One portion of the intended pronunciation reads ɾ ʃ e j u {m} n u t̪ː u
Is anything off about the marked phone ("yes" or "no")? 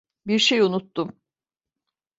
yes